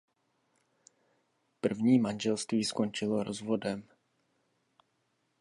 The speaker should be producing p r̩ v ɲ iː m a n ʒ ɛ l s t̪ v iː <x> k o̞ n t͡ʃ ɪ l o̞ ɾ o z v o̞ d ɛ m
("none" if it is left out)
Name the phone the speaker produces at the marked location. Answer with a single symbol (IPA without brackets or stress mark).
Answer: s